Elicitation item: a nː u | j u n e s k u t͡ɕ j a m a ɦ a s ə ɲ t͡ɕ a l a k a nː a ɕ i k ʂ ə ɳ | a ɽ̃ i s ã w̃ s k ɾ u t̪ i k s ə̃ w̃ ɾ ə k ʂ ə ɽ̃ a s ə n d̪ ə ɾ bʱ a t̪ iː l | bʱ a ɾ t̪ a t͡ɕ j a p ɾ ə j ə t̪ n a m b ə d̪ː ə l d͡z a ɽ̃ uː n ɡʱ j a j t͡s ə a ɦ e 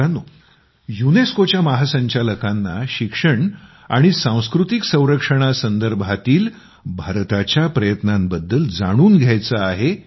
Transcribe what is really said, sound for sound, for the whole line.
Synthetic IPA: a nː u | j u n e s k o t͡ɕ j a m a ɦ a s ə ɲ t͡ɕ a l ə k a nː a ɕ i k ʂ ə ɳ | a ɽ̃ i s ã w̃ s k ɾ u t̪ i k s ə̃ w̃ ɾ ə k ʂ ə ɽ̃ a s ə n d̪ ə ɾ bʱ a t̪ iː l | bʱ a ɾ t̪ a t͡ɕ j a p ɾ ə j ə t̪ n a m b ə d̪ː ə l d͡z a ɽ̃ uː n ɡʱ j a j t͡s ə a ɦ e